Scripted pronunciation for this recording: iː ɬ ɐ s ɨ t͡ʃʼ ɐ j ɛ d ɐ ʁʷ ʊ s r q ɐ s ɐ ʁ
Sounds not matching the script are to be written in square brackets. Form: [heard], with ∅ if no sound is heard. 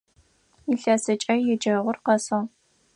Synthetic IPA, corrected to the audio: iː ɬ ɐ s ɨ t͡ʃʼ ɐ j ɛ [d͡ʒ] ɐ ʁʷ ʊ [∅] r q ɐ s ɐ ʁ